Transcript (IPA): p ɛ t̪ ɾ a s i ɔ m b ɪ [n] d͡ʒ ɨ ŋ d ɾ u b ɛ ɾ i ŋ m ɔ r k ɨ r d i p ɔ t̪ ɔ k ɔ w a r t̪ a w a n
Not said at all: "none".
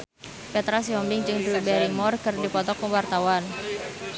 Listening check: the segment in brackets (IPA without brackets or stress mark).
ŋ